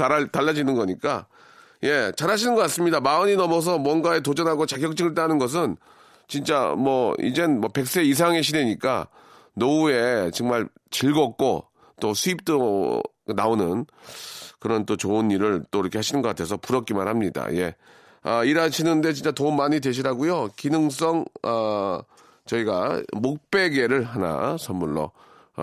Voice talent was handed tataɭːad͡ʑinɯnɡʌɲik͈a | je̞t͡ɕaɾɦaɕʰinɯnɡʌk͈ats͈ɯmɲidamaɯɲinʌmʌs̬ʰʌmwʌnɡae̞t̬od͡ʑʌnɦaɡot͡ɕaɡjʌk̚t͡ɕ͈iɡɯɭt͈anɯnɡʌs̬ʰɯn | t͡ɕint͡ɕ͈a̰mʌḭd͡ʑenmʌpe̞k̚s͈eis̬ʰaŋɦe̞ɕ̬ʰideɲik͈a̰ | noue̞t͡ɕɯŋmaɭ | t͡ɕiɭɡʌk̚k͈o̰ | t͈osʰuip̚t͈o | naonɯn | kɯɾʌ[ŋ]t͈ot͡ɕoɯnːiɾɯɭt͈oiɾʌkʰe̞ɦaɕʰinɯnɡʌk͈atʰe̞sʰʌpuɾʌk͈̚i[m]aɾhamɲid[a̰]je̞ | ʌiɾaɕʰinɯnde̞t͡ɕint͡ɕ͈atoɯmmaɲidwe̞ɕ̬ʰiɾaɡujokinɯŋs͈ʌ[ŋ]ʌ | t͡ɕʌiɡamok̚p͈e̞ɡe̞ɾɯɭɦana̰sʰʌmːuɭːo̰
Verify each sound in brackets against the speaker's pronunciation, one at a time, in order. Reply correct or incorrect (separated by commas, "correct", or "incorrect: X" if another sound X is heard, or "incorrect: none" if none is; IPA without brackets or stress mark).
incorrect: n, correct, correct, correct